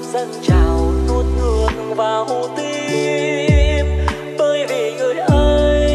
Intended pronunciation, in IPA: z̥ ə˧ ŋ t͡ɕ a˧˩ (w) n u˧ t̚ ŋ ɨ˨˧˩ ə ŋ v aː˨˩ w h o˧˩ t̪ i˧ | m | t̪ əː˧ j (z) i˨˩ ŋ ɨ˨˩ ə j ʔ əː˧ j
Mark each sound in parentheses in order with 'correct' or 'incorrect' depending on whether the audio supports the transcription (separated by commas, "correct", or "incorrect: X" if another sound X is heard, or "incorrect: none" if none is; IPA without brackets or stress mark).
correct, incorrect: v